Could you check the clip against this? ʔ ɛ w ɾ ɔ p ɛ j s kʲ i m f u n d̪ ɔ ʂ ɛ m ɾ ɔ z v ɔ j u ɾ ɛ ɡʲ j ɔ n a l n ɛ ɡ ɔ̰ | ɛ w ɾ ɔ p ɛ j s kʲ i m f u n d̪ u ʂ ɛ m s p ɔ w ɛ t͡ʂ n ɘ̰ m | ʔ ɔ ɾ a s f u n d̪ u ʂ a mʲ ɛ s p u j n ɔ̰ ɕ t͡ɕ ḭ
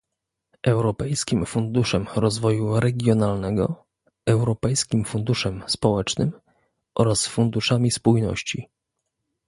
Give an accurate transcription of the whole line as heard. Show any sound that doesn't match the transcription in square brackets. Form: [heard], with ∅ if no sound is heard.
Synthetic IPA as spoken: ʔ ɛ w ɾ ɔ p ɛ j s kʲ i m f u n d̪ [u] ʂ ɛ m ɾ ɔ z v ɔ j u ɾ ɛ ɡʲ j ɔ n a l n ɛ ɡ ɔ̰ | ɛ w ɾ ɔ p ɛ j s kʲ i m f u n d̪ u ʂ ɛ m s p ɔ w ɛ t͡ʂ n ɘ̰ m | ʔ ɔ ɾ a s f u n d̪ u ʂ a mʲ [i] s p u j n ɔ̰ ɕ t͡ɕ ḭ

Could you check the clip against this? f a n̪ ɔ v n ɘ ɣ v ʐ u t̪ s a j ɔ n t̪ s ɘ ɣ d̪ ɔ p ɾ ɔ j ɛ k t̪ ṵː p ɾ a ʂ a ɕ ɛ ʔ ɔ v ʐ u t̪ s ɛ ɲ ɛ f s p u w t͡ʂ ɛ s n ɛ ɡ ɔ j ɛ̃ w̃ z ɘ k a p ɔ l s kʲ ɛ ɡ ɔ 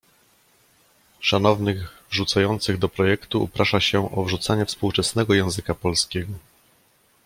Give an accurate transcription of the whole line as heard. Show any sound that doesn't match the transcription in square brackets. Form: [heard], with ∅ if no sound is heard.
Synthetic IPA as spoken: [ʂ] a n̪ ɔ v n ɘ ɣ v ʐ u t̪ s a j ɔ n t̪ s ɘ ɣ d̪ ɔ p ɾ ɔ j ɛ k t̪ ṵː p ɾ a ʂ a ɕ ɛ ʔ ɔ v ʐ u t̪ s [a] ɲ ɛ f s p u w t͡ʂ ɛ s n ɛ ɡ ɔ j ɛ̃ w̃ z ɘ k a p ɔ l s kʲ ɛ ɡ ɔ

